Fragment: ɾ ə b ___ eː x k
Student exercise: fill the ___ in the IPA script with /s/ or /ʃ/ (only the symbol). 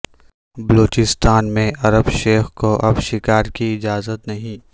ʃ